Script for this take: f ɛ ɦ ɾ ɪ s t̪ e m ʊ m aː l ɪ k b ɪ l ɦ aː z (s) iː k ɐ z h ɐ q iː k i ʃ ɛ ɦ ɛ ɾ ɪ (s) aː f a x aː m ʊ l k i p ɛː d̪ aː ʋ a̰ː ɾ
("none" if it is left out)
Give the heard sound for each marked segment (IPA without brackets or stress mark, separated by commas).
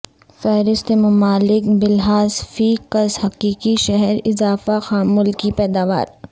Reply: f, z